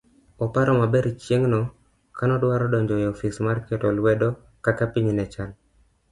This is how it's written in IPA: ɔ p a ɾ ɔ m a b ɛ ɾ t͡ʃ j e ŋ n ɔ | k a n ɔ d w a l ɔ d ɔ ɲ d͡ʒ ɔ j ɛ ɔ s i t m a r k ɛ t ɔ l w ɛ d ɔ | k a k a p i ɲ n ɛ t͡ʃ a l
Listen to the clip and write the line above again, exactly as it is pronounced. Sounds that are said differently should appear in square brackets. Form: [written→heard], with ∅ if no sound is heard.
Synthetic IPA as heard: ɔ p a ɾ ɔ m a b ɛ ɾ t͡ʃ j e ŋ n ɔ | k a n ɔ d w a [l→ɾ] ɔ d ɔ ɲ d͡ʒ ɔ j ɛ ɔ [s→f] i [t→s] m a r k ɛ t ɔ l w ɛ d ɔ | k a k a p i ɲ n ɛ t͡ʃ a l